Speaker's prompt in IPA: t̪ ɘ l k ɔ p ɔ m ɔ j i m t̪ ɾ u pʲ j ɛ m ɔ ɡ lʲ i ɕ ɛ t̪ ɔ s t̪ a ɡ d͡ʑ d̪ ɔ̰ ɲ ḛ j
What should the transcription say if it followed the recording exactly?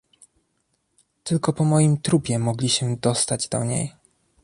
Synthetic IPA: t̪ ɘ l k ɔ p ɔ m ɔ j i m t̪ ɾ u pʲ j ɛ m ɔ ɡ lʲ i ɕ ɛ d̪ ɔ s t̪ a d͡ʑ d̪ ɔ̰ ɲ ḛ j

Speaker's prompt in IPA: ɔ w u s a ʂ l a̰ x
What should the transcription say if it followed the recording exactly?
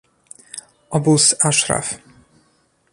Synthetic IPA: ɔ b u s a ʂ ɾ a̰ f

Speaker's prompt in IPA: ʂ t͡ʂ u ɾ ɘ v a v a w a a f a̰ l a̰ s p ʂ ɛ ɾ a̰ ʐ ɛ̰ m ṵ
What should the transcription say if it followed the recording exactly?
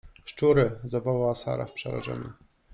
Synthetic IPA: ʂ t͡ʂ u ɾ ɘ z a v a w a a s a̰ ɾ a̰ f p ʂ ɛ ɾ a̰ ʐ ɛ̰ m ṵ

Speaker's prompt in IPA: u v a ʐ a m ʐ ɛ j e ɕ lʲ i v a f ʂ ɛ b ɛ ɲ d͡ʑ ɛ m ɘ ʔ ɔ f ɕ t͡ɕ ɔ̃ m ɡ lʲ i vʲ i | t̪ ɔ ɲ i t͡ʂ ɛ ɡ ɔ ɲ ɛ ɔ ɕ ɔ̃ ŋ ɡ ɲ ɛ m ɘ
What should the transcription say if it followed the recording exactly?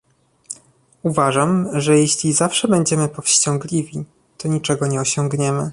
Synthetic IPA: u v a ʐ a m ʐ ɛ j e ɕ lʲ i z a f ʂ ɛ b ɛ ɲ d͡ʑ ɛ m ɘ p ɔ f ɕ t͡ɕ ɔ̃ ŋ ɡ lʲ i vʲ i | t̪ ɔ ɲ i t͡ʂ ɛ ɡ ɔ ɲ ɛ ɔ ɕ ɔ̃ ŋ ɡ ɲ ɛ m ɘ

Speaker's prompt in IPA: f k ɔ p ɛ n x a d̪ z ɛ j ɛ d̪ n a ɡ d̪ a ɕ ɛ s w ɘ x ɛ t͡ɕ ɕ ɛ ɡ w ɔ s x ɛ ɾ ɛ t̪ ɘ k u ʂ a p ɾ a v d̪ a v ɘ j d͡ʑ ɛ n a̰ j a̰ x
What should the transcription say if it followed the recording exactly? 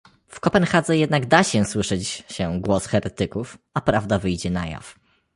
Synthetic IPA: f k ɔ p ɛ n x a d̪ z ɛ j ɛ d̪ n a ɡ d̪ a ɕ ɛ s w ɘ ʂ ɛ t͡ɕ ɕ ɛ ɡ w ɔ s x ɛ ɾ ɛ t̪ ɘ k u f a p ɾ a v d̪ a v ɘ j d͡ʑ ɛ n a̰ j a̰ f

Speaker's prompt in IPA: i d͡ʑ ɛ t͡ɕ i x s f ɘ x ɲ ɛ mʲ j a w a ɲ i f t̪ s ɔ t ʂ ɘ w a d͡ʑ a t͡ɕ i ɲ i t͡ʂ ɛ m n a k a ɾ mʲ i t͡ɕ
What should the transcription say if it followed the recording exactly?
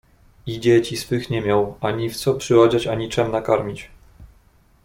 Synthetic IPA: i d͡ʑ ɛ t͡ɕ i s f ɘ x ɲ ɛ mʲ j a w a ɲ i f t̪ s ɔ p ʂ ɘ w a d͡ʑ a t͡ɕ a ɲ i t͡ʂ ɛ m n a k a ɾ mʲ i t͡ɕ

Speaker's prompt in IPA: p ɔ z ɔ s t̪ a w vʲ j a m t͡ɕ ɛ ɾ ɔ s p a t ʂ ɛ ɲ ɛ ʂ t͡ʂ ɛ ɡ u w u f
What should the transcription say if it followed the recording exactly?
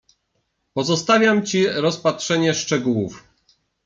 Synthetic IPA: p ɔ z ɔ s t̪ a vʲ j a m t͡ɕ i ɾ ɔ s p a t ʂ ɛ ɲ ɛ ʂ t͡ʂ ɛ ɡ u w u f

